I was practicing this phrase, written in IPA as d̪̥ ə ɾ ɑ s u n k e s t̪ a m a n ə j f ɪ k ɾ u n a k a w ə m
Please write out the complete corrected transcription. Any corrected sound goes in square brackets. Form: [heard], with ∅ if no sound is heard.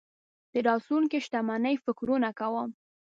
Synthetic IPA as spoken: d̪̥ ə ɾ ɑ s u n k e [ʃ] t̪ a m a n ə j f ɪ k ɾ u n a k a w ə m